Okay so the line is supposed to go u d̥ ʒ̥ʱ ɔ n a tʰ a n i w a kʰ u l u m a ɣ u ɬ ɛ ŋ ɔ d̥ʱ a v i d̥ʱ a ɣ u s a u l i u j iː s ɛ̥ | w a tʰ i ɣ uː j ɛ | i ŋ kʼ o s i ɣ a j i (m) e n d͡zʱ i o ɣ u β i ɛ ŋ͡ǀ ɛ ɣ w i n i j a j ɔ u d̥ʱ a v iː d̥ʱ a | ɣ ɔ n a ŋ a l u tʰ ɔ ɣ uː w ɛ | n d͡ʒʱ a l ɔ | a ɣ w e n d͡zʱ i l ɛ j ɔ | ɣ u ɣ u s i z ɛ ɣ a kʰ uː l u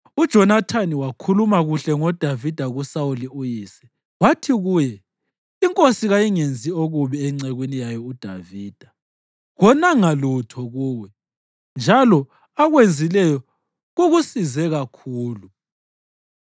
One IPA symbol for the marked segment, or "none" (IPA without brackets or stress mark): ŋ